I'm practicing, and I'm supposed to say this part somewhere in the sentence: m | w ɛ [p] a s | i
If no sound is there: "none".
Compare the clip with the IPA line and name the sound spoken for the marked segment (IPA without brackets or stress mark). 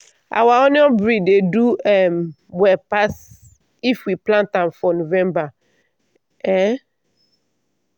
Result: p